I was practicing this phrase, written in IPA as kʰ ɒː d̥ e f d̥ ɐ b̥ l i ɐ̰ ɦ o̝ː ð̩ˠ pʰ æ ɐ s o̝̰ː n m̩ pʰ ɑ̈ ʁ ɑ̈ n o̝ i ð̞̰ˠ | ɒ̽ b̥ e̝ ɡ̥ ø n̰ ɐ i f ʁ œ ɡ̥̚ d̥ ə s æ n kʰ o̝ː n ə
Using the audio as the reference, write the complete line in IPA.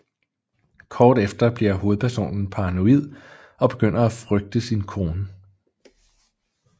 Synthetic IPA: kʰ ɒː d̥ e f d̥ ɐ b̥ l i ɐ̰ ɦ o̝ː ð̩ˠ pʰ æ ɐ s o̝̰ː n n̩ pʰ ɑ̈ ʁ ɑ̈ n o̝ i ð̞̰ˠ | ɒ̽ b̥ e̝ ɡ̥ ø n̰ ɐ æ f ʁ œ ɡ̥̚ d̥ ə s i n kʰ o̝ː n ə

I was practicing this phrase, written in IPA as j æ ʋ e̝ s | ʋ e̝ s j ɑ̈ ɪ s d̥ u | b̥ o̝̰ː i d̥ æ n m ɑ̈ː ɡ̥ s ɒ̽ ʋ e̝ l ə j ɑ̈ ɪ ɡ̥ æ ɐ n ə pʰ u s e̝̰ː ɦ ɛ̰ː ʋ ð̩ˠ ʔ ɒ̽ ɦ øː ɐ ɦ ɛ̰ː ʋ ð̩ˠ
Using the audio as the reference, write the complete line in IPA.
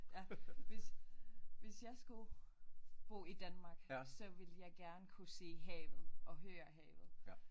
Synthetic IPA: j æ ʋ e̝ s | ʋ e̝ s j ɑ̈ ɪ s ɡ̥ u | b̥ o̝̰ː i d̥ æ n m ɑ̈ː ɡ̥ s ɒ̽ ʋ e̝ l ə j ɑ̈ ɪ ɡ̥ æ ɐ n ə kʰ u s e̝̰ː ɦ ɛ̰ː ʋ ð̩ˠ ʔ ɒ̽ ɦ øː ɐ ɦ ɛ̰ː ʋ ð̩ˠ

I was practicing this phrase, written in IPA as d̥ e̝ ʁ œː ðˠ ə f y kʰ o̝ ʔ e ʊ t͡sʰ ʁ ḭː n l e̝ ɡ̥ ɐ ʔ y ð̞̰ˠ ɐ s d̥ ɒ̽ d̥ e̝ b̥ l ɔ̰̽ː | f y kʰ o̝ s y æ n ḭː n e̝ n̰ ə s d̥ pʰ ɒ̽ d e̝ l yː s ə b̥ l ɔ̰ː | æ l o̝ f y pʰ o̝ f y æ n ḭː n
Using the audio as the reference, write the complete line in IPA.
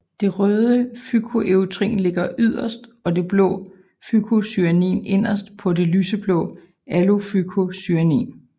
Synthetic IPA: d̥ e̝ ʁ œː ðˠ ə f y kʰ o̝ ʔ e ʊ t͡sʰ ʁ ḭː n l e̝ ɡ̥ ɐ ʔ y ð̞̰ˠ ɐ s d̥ ɒ̽ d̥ e̝ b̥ l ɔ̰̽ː | f y kʰ o̝ s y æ n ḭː n e̝ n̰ ɐ s d̥ pʰ ɒ̽ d e̝ l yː s ə b̥ l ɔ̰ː | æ l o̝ f y kʰ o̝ s y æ n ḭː n

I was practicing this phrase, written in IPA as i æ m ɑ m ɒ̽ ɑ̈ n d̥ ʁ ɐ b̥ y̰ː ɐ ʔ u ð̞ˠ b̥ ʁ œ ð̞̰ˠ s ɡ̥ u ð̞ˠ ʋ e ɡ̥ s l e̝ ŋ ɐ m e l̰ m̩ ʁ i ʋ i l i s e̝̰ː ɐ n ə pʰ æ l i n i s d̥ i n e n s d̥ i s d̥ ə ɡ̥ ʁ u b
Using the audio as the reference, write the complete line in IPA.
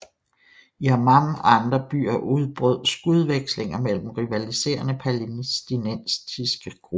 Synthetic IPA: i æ m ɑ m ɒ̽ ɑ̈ n d̥ ʁ ɐ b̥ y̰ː ɐ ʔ u ð̞ˠ b̥ ʁ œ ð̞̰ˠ s ɡ̥ u ð̞ˠ ʋ e ɡ̥ s l e̝ ŋ ɐ m e l̰ m̩ ʁ i ʋ æ l i s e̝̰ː ɐ n ə pʰ æ l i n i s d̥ i n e n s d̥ i s ɡ̥ ə ɡ̥ ʁ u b

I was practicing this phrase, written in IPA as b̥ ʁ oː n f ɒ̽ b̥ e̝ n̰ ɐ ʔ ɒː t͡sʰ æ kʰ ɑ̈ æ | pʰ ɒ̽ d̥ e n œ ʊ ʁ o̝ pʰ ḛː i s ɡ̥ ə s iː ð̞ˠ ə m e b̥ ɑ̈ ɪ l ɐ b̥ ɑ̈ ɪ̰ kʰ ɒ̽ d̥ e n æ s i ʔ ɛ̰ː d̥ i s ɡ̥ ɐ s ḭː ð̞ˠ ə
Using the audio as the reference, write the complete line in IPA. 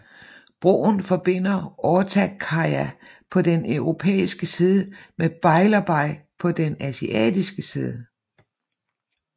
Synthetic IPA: b̥ ʁ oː n f ɒ̽ b̥ e̝ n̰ ɐ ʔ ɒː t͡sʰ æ kʰ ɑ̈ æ | pʰ ɒ̽ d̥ e n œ ʊ ʁ o̝ pʰ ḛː i s ɡ̥ ə s iː ð̞ˠ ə m e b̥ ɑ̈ ɪ l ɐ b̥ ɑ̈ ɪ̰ pʰ ɒ̽ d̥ e n æ s i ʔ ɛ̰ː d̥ i s ɡ̥ ə s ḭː ð̞ˠ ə

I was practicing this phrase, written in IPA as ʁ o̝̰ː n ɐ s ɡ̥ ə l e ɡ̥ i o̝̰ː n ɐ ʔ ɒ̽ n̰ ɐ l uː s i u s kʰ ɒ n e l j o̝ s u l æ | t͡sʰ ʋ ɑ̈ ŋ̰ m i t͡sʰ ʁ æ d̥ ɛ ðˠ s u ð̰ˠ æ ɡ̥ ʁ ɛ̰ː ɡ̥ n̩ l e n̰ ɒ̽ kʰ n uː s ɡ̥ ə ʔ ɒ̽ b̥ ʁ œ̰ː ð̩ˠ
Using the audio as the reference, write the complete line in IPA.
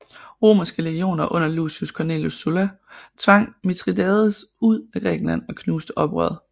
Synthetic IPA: ʁ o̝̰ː m ɐ s ɡ̥ ə l e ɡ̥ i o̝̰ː n ɐ ʔ ɔ̽ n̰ ɐ l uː s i u s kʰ ɒ n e l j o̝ s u l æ | t͡sʰ ʋ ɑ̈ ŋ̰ m i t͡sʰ ʁ i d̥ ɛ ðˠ s u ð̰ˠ æ ɡ̥ ʁ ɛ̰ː ɡ̥ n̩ l æ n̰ ɒ̽ kʰ n uː s d̥ ə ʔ ɒ̽ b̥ ʁ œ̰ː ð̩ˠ

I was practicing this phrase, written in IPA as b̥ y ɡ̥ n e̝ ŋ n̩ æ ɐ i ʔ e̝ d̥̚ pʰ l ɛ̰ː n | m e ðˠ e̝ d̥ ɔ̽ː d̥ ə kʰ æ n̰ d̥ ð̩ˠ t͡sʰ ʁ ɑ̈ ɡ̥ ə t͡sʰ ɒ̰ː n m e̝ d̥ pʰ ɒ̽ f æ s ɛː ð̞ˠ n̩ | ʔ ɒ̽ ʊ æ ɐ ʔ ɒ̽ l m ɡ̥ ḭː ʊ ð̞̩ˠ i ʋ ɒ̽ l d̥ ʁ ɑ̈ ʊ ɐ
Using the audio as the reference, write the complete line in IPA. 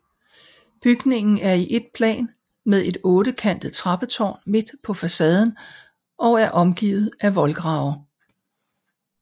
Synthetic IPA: b̥ y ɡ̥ n e̝ ŋ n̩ æ ɐ i ʔ e̝ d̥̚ pʰ l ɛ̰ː n | m e ðˠ e̝ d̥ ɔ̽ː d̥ ə kʰ æ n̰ d̥ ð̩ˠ t͡sʰ ʁ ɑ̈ b̥ ə t͡sʰ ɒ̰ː n m e̝ d̥ pʰ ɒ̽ f æ s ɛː ð̞ˠ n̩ | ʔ ɒ̽ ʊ æ ɐ ʔ ɒ̽ m ɡ̥ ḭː ʊ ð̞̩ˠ æ ʋ ɒ̽ l ɡ̥ ʁ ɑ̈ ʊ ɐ

